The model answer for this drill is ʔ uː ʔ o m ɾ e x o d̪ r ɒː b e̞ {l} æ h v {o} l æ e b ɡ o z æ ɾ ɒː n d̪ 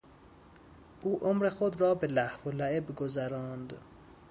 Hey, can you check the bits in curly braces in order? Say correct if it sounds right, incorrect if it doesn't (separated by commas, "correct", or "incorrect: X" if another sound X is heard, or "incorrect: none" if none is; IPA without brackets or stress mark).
correct, correct